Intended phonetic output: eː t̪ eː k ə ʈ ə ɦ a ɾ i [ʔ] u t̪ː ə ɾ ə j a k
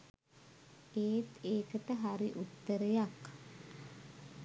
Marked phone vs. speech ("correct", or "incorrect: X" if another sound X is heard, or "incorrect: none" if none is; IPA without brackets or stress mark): correct